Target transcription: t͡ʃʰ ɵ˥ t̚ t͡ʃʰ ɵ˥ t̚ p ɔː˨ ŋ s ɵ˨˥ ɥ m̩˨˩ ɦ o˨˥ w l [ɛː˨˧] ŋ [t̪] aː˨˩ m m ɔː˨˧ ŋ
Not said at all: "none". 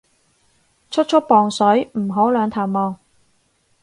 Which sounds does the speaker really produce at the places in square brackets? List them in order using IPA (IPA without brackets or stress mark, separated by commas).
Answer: œː˨˧, t̪ʰ